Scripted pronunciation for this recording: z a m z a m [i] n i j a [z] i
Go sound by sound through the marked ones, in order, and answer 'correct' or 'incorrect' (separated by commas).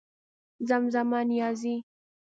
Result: incorrect, correct